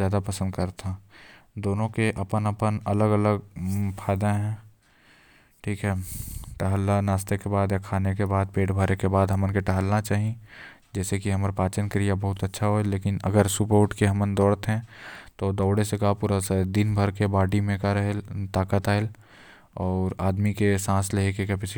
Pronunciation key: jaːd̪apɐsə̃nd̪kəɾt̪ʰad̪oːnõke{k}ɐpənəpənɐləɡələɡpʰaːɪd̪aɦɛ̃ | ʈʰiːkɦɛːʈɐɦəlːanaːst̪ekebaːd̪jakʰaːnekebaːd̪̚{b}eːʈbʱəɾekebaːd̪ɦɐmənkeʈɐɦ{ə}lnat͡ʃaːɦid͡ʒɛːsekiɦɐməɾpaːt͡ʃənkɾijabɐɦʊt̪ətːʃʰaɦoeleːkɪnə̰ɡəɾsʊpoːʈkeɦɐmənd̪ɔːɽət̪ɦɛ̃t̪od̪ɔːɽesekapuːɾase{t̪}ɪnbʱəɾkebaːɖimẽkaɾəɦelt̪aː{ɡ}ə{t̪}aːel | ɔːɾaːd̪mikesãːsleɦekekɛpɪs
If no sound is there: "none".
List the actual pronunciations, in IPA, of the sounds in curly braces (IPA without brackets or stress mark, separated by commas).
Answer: ʔ, p, ə, d̪, k, t̪